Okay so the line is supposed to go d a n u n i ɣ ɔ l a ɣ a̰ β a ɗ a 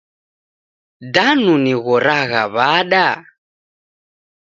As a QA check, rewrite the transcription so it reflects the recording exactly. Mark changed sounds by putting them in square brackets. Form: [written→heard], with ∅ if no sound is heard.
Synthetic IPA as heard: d a n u n i ɣ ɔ [l→ɾ] a ɣ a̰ β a ɗ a